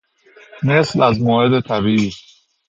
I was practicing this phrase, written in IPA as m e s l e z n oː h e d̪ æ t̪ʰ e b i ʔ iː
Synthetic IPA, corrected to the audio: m e s l æ z m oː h e d̪ e t̪ʰ æ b i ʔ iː